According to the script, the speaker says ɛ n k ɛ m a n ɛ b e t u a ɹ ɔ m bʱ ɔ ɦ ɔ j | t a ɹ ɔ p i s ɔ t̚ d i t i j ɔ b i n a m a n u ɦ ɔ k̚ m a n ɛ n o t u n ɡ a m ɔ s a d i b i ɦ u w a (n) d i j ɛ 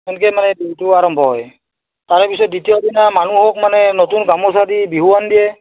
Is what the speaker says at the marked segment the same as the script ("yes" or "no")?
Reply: yes